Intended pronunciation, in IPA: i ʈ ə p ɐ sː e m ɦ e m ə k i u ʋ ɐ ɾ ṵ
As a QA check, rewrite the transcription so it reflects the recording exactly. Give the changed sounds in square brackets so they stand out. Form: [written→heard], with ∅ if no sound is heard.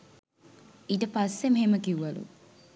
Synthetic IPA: i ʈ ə p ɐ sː e m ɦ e m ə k i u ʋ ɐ [ɾ→l] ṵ